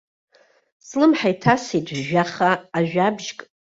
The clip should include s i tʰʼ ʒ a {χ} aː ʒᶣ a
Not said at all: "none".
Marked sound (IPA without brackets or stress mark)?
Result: χ